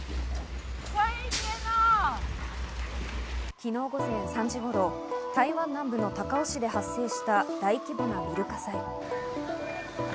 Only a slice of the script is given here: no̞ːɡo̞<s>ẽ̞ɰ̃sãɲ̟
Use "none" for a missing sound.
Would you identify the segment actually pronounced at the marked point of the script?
z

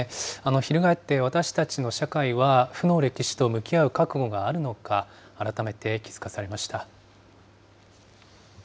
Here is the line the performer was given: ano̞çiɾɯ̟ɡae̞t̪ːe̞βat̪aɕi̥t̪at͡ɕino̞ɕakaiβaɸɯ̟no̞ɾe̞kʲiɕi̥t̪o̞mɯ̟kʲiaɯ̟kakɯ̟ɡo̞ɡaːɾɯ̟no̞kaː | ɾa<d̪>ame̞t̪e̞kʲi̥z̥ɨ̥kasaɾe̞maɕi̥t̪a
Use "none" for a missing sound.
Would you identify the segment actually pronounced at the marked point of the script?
t̪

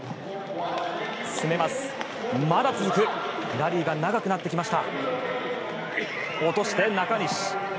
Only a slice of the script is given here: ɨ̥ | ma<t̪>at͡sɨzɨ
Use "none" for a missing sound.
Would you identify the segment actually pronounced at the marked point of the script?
d̪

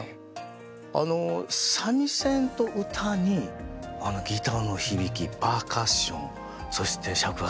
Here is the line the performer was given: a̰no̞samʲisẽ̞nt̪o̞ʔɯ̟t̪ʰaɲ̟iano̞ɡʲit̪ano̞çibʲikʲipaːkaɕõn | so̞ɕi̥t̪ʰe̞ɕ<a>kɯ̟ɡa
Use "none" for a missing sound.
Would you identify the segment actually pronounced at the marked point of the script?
a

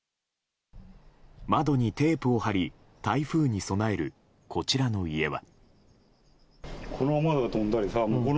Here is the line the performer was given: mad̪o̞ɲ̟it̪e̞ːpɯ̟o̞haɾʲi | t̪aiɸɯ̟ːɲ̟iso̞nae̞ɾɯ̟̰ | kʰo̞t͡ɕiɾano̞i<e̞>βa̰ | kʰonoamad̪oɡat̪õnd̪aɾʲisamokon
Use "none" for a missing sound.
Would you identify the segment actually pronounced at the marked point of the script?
e̞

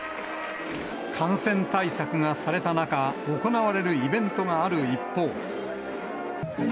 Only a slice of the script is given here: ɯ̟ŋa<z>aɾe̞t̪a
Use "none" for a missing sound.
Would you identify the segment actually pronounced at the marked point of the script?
s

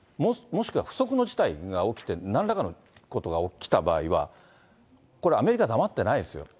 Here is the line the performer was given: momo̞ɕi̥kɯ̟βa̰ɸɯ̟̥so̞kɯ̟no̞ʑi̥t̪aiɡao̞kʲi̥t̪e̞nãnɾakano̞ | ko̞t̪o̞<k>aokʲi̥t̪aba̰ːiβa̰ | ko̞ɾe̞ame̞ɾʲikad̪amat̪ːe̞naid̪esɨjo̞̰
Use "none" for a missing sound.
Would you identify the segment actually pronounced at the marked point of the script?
ɡ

